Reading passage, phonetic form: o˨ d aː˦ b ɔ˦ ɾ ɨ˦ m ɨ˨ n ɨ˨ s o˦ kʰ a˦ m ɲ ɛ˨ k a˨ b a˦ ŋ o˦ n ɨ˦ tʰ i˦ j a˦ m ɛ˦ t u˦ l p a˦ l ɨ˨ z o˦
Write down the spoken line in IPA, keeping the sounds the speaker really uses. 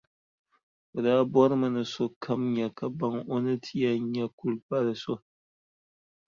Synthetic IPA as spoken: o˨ d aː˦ b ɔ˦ ɾ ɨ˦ m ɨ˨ n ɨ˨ s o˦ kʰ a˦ m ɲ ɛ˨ k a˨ b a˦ ŋ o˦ n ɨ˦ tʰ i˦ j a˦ ɲ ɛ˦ k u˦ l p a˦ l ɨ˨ s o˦